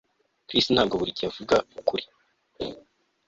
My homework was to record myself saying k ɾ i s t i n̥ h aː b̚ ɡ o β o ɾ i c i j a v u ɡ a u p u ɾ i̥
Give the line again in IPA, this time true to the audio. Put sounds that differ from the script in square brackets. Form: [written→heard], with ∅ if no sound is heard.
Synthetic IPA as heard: k ɾ i s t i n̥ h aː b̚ ɡ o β [o→u] ɾ i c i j a v u ɡ a u [p→k] u ɾ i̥